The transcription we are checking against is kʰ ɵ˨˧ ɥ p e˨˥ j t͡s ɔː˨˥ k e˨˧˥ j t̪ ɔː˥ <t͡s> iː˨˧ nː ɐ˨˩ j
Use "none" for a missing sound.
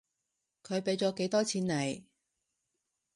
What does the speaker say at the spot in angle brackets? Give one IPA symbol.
t͡sʰ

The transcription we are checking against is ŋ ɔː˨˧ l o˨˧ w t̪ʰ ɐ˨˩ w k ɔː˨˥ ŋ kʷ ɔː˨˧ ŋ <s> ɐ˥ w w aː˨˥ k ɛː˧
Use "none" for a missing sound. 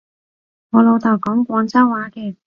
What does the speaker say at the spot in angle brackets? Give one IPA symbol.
t͡s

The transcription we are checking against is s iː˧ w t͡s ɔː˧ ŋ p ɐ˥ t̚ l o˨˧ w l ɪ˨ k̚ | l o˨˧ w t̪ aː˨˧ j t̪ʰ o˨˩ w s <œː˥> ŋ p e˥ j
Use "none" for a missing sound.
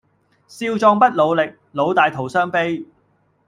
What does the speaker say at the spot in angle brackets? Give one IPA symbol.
œː˥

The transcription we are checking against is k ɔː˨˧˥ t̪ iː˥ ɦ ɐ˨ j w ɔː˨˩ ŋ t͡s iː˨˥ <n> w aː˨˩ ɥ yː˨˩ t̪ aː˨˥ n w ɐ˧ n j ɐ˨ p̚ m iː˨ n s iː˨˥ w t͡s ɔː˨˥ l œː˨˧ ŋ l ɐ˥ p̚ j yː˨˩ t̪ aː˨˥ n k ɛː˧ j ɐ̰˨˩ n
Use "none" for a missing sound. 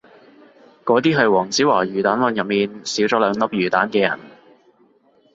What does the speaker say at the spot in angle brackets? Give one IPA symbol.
none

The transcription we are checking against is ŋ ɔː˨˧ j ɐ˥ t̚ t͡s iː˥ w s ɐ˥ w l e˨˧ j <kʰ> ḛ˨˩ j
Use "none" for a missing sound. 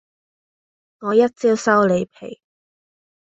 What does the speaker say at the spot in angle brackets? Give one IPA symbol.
pʰ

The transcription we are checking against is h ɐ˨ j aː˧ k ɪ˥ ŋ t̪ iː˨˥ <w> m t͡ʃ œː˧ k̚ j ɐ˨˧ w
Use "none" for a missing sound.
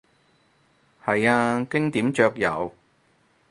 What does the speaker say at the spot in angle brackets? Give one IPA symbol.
none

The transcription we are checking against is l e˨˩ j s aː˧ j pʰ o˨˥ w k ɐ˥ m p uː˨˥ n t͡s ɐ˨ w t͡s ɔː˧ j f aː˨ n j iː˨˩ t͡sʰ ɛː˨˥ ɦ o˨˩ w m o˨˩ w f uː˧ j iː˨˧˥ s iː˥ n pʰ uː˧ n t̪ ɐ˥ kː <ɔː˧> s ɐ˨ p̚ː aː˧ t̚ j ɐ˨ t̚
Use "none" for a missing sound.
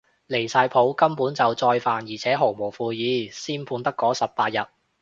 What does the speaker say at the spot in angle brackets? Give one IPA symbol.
ɔː˨˥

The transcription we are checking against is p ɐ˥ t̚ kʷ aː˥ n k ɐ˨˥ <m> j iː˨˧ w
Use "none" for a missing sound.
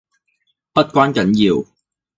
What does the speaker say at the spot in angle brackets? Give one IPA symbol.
n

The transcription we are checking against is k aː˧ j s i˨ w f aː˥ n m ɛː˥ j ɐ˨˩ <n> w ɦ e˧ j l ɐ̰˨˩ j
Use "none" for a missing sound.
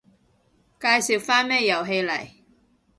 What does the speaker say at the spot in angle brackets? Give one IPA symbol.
none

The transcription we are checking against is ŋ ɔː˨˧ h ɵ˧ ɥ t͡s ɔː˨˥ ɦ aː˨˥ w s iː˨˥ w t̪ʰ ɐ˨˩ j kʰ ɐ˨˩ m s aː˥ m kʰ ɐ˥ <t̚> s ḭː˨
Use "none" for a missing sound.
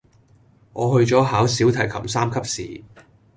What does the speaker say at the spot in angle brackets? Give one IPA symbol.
p̚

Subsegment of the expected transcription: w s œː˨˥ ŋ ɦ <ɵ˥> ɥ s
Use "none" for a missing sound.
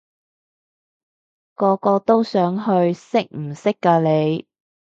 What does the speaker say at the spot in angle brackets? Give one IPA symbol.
ɵ˧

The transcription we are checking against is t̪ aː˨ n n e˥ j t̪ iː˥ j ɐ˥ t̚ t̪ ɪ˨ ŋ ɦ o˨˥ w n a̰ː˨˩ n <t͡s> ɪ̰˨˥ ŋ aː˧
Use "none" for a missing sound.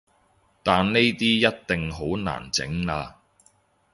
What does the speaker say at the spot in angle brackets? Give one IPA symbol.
t͡s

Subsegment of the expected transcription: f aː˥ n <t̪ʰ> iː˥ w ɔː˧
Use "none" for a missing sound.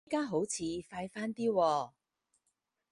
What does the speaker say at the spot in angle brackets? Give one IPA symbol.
t̪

